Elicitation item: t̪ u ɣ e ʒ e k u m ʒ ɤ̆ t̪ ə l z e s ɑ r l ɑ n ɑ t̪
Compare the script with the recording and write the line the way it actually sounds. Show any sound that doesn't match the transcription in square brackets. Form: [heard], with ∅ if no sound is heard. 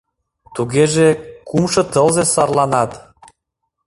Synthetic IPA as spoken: t̪ u ɣ e ʒ e k u m [ʃ] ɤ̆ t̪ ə l z e s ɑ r l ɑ n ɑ t̪